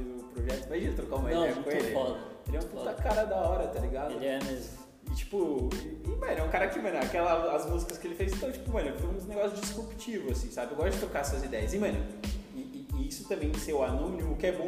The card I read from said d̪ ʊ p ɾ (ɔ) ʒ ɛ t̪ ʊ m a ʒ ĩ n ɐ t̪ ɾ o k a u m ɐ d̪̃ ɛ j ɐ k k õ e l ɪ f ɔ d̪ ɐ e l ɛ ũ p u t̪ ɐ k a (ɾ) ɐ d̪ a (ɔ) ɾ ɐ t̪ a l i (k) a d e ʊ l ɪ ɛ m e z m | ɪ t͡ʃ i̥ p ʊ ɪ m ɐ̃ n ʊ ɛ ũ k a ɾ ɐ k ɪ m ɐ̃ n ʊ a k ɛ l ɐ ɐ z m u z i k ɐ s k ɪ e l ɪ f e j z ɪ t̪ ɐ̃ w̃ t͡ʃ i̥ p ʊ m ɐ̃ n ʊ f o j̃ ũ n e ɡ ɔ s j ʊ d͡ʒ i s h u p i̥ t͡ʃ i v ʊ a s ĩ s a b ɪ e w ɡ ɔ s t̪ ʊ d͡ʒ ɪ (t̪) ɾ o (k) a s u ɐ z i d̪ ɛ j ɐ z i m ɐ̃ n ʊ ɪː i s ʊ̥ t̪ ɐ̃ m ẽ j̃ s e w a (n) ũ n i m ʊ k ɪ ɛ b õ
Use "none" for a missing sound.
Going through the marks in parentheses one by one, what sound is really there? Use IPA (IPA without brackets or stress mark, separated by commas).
o, ɾ, ɔ, ɡ, t̪, k, n